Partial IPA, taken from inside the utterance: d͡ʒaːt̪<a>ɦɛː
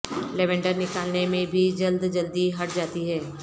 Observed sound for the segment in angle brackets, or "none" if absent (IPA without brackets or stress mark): i